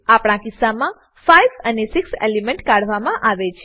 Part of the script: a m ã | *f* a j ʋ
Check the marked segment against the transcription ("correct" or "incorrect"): correct